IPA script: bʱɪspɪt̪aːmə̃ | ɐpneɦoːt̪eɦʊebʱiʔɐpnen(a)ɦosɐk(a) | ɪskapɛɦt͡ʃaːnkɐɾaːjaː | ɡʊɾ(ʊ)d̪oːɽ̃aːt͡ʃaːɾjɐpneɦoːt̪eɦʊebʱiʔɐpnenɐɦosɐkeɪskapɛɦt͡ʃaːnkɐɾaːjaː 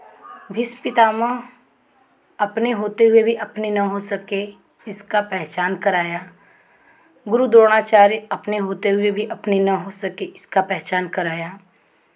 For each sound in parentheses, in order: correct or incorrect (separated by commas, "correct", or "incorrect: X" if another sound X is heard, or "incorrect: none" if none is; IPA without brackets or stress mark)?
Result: incorrect: ɐ, incorrect: e, incorrect: u